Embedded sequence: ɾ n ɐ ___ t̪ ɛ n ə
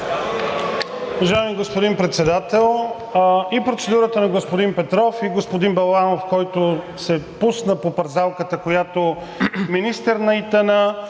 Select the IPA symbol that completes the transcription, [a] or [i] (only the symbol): i